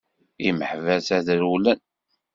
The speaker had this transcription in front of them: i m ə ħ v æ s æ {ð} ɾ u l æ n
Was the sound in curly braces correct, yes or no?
yes